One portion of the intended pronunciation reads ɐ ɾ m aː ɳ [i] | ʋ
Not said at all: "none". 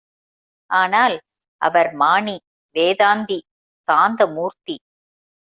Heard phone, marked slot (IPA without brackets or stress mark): i